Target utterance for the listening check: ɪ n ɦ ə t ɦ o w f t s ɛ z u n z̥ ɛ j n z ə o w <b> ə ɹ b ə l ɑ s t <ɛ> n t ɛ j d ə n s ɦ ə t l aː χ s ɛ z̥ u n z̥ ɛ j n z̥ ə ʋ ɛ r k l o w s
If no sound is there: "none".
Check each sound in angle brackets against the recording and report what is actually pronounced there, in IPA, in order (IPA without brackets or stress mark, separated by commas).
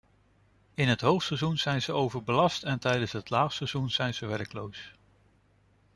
v, ɛ